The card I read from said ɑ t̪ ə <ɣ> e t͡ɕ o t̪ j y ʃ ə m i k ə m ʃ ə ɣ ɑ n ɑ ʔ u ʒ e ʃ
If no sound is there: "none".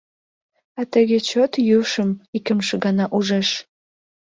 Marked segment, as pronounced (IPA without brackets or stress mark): ɣ